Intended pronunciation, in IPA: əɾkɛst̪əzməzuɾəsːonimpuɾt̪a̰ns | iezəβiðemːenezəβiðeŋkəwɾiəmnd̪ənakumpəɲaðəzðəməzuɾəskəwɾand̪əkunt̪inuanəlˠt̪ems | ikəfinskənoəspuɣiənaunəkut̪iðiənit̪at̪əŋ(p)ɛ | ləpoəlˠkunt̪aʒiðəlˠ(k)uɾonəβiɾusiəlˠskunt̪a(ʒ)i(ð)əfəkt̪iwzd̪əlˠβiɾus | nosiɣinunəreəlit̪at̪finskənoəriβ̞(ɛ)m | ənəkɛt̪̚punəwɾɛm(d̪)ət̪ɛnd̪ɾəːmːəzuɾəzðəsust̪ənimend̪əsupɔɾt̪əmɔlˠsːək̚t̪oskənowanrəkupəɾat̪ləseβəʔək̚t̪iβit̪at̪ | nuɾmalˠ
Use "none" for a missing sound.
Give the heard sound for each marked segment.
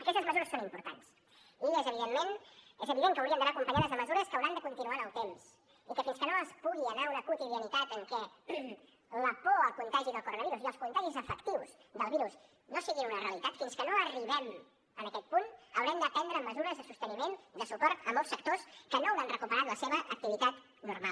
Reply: k, k, ʒ, z, ɛ, d̪

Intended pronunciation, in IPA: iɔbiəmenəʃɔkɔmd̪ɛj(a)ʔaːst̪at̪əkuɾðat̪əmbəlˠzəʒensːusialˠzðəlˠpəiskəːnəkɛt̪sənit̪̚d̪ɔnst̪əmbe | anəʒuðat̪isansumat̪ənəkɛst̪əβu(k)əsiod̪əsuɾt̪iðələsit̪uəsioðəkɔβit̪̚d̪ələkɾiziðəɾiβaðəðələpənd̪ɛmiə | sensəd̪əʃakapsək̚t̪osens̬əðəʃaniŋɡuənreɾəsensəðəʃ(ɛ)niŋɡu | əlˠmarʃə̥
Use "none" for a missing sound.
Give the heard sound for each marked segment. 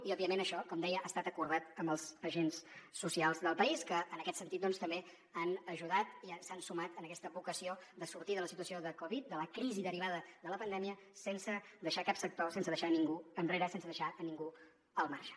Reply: ə, k, a

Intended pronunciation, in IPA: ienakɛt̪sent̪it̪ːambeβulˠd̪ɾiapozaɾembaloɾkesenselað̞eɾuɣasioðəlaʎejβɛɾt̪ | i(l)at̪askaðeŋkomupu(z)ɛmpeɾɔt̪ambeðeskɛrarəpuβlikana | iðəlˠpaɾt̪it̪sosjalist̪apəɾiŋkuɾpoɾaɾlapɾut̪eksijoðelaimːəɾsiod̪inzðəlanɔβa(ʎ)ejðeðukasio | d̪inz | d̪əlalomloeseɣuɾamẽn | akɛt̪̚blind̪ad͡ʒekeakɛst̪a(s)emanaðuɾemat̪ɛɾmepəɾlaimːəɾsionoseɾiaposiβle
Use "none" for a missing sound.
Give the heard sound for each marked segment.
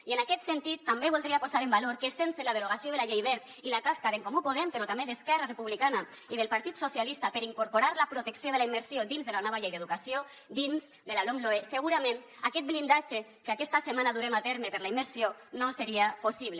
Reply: l, ð, ʎ, s

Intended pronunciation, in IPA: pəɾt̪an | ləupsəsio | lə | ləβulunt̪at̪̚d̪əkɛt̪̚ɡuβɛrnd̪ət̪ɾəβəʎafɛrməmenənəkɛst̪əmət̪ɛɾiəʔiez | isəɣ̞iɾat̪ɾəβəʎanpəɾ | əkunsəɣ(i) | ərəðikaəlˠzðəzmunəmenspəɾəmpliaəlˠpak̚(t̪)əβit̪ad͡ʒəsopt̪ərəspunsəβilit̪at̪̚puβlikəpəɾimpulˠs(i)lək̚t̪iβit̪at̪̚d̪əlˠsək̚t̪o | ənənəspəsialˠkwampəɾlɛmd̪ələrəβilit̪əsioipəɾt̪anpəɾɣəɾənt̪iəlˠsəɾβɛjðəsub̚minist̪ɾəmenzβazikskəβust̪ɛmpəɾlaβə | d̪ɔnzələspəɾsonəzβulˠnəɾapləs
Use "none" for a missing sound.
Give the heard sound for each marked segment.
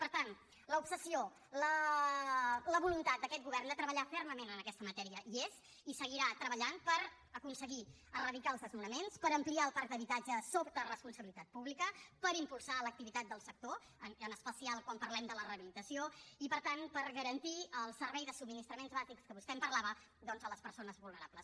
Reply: i, d̪, a

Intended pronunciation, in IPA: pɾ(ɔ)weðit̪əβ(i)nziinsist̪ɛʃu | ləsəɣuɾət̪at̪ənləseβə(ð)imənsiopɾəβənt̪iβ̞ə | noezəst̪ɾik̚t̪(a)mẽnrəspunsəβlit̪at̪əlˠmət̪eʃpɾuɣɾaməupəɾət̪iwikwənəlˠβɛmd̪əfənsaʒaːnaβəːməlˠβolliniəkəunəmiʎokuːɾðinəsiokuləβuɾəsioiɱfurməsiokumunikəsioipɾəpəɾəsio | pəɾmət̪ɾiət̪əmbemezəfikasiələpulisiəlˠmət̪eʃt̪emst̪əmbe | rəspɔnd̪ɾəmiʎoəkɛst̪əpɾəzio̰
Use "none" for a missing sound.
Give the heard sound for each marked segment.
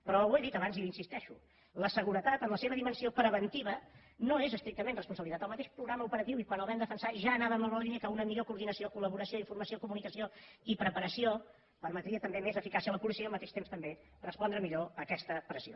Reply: ɔ, a, ð, ə

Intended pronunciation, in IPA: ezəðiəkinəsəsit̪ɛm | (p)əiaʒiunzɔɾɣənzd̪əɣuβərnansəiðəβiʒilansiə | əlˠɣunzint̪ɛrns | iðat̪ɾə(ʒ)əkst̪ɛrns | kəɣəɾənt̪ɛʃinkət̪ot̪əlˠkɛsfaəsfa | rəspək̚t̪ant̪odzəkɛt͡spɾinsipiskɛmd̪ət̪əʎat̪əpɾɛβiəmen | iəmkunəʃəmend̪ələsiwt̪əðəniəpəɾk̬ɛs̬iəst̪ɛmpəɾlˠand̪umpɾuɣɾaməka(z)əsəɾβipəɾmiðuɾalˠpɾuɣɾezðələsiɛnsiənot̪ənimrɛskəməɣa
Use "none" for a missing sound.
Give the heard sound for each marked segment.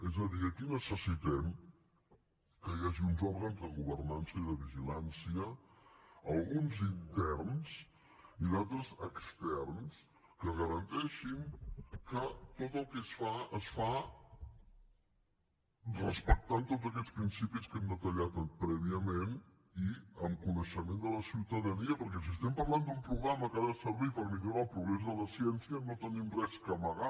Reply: k, z, ð

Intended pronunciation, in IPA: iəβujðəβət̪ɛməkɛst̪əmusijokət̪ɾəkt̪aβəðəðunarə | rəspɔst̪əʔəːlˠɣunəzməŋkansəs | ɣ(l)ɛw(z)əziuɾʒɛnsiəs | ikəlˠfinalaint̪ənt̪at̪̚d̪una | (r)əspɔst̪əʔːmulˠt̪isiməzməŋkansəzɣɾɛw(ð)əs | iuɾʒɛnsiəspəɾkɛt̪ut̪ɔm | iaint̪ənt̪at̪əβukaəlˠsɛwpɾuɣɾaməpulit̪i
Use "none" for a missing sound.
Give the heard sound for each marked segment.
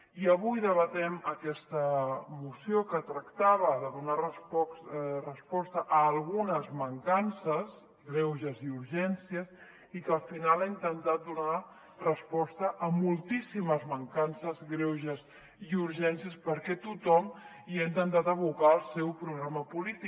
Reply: ɾ, ʒ, r, ʒ

